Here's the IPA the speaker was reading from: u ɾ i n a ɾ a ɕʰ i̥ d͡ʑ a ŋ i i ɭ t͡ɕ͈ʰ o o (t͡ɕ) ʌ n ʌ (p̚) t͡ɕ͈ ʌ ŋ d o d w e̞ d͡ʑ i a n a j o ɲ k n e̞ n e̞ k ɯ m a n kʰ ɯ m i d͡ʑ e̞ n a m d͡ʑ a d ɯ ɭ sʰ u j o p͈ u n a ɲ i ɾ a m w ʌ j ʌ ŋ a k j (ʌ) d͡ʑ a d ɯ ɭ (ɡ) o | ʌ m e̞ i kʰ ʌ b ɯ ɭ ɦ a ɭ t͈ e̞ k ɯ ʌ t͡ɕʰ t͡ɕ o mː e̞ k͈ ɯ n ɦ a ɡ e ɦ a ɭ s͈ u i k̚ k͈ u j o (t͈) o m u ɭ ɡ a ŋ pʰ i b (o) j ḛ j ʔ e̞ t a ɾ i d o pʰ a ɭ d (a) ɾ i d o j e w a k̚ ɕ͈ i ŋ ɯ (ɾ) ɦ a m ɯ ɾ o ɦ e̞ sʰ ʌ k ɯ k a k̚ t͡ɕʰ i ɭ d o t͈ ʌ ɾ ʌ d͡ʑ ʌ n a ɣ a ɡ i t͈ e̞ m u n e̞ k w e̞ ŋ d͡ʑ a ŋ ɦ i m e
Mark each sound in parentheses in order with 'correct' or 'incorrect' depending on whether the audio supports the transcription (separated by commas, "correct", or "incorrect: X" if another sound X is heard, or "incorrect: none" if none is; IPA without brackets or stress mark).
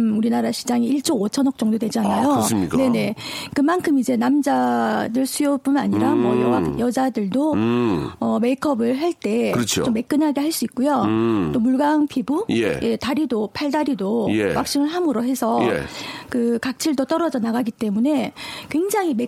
incorrect: t͡ɕʰ, incorrect: k̚, correct, incorrect: d, correct, incorrect: u, correct, incorrect: ɭ